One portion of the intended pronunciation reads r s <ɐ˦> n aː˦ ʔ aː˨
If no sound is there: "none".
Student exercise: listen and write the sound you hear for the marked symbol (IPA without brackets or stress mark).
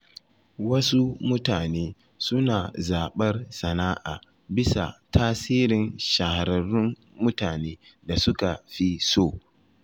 ɐ˨